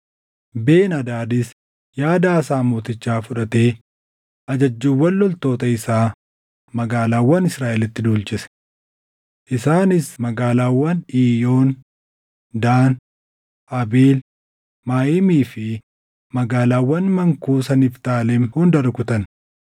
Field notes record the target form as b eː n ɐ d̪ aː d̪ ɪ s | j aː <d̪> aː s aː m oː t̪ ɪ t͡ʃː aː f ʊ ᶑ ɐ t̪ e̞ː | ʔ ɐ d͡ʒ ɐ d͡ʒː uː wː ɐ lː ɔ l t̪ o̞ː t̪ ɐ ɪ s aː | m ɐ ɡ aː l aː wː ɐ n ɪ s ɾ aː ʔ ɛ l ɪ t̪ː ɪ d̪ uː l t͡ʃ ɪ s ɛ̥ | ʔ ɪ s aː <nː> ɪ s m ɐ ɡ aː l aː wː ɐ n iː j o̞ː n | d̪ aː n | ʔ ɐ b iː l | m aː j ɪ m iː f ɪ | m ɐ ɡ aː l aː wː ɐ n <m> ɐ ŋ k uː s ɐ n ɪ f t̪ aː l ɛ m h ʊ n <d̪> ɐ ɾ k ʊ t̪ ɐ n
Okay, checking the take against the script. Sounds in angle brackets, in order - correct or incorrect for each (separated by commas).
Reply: correct, incorrect, correct, correct